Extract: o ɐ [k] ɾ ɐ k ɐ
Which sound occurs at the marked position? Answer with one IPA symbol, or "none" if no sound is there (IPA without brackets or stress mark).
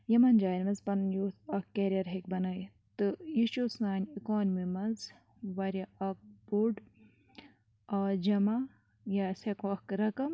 k